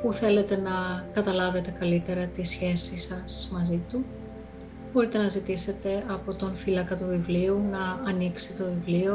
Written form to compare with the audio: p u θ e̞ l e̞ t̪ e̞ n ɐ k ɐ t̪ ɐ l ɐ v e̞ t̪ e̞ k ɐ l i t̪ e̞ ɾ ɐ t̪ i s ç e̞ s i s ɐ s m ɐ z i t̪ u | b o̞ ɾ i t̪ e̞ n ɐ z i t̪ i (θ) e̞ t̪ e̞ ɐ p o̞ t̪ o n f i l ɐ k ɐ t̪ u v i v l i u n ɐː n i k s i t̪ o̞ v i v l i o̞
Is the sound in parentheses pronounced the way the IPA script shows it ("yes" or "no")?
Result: no